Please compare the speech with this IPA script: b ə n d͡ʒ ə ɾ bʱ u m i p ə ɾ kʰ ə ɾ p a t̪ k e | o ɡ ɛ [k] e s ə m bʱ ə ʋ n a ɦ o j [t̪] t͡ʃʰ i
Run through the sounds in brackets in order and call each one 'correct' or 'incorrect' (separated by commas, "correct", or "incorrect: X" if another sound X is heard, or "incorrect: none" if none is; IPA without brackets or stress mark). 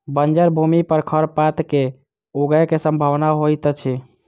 correct, correct